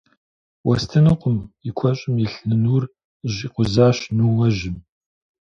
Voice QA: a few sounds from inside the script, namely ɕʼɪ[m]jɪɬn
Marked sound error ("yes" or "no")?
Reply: no